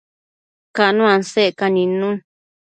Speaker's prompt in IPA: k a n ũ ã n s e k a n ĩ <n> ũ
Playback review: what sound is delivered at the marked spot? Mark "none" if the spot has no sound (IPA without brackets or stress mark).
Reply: n